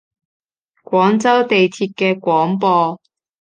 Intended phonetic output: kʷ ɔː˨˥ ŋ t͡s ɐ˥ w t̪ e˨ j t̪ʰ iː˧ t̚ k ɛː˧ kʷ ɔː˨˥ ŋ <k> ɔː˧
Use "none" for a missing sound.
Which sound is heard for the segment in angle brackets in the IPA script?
p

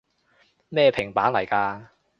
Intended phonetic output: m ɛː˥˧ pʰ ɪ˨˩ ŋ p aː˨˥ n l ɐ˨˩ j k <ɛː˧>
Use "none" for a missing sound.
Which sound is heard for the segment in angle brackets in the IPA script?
aː˧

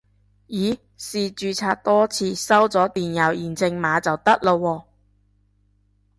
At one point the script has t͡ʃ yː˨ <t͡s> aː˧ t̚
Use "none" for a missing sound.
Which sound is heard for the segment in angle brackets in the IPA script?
t͡sʰ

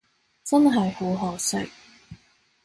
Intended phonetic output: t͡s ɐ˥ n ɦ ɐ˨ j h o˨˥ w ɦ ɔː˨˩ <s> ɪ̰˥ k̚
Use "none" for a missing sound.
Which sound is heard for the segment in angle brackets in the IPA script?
s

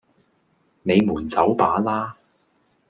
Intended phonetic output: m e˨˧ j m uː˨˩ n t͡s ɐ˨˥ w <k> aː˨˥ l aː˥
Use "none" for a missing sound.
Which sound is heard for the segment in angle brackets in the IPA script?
p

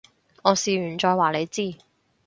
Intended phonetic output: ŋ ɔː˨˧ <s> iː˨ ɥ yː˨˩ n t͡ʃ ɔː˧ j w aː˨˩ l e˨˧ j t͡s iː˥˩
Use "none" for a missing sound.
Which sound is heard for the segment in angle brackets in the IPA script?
s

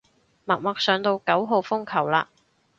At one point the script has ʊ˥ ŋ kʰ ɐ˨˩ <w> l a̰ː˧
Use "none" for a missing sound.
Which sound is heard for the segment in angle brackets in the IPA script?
w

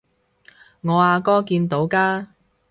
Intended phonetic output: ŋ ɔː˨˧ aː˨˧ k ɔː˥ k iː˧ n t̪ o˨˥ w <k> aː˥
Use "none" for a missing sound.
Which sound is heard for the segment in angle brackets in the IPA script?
k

